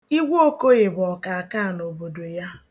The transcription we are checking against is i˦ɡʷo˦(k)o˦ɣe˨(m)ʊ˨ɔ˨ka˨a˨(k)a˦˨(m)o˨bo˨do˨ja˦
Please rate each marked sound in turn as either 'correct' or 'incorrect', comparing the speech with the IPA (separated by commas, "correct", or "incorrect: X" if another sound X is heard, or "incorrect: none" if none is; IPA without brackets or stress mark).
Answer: correct, incorrect: b, correct, incorrect: n